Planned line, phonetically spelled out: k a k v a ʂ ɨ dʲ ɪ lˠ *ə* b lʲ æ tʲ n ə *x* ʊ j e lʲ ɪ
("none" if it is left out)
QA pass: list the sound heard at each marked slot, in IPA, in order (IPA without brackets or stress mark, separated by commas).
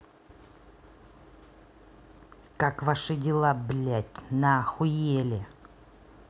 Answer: a, x